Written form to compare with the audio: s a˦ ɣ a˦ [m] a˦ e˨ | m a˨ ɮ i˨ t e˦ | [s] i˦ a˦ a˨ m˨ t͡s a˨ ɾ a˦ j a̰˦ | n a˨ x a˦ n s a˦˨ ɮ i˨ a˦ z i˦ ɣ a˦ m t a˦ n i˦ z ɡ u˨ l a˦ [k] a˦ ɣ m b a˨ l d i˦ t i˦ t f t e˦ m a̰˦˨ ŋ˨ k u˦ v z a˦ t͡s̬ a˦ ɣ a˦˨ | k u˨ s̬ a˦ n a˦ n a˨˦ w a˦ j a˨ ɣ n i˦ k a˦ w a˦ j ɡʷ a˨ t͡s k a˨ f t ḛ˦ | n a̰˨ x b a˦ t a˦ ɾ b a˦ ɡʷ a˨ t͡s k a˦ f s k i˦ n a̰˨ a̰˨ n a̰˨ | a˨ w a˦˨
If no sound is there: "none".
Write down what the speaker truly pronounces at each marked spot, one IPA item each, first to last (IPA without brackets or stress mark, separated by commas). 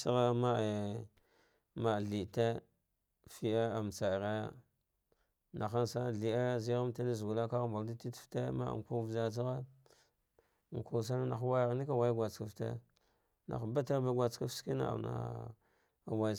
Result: m, f, k